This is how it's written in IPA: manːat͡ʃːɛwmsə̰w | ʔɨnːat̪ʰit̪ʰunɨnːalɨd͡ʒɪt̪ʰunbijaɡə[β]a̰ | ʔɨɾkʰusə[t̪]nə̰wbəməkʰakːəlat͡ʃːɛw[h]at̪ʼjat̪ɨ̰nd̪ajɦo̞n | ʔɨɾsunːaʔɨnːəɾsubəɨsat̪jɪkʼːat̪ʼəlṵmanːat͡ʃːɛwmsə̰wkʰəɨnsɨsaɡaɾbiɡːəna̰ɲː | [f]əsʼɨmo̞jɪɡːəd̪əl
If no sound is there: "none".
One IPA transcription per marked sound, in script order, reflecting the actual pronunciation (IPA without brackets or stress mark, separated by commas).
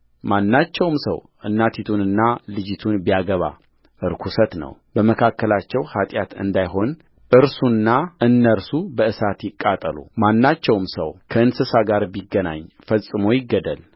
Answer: β, t̪, h, f